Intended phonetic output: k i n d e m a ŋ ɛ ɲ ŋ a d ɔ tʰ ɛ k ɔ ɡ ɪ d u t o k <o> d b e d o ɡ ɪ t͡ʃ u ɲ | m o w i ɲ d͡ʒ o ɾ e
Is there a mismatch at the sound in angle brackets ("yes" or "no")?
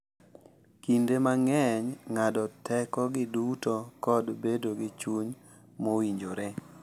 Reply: yes